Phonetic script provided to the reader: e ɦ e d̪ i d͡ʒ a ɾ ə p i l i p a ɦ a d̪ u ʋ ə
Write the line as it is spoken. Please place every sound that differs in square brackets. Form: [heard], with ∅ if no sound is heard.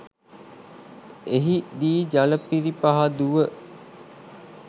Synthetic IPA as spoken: e ɦ [i] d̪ [iː] d͡ʒ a [l] ə p i [ɾ] i p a ɦ a d̪ u ʋ ə